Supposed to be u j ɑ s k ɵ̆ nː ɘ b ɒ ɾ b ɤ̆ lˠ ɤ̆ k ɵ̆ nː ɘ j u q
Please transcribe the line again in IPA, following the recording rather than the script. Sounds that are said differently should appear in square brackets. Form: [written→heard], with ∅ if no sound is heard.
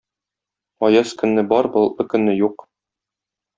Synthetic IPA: [u→ɒ] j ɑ s k ɵ̆ nː ɘ b ɒ ɾ b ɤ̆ lˠ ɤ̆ k ɵ̆ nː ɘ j u q